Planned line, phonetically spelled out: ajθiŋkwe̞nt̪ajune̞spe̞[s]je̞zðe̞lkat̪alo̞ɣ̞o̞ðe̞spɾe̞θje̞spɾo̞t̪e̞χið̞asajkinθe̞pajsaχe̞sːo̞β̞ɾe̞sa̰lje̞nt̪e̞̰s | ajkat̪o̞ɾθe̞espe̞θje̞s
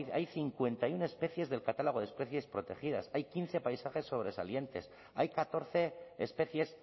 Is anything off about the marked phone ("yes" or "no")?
yes